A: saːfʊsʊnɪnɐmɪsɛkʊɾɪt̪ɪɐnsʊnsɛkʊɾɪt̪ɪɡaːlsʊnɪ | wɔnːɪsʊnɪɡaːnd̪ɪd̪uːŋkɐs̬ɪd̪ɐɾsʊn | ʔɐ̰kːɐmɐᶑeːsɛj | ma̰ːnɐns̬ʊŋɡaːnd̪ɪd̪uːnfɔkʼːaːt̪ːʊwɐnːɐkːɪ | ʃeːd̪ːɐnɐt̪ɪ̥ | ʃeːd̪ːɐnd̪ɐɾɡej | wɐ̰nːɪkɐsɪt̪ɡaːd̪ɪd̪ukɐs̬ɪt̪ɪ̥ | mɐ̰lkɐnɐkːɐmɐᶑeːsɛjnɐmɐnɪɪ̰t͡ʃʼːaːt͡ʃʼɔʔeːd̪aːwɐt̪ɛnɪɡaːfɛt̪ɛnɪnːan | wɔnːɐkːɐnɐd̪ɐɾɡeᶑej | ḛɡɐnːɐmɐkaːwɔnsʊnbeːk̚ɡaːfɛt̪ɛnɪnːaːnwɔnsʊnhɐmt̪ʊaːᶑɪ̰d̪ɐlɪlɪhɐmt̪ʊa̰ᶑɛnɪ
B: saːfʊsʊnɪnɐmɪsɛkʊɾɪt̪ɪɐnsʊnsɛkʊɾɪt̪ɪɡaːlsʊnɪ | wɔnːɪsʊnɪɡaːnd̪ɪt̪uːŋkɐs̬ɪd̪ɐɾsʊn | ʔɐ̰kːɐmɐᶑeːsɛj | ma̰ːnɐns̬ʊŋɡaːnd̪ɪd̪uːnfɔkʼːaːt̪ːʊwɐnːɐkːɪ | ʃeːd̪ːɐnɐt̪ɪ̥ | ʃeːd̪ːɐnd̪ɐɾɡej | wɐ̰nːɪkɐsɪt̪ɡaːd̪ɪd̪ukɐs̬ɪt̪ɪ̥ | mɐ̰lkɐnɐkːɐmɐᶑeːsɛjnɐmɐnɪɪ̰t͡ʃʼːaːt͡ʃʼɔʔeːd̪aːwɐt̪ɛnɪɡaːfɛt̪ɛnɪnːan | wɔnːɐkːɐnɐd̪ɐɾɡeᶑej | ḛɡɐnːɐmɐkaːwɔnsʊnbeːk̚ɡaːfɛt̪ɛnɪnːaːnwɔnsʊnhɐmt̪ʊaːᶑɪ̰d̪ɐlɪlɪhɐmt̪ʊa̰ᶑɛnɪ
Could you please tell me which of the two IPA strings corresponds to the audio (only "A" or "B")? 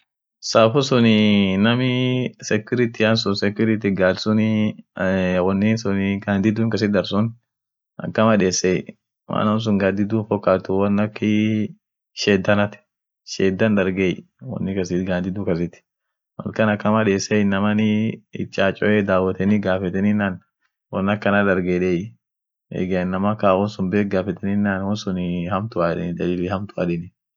A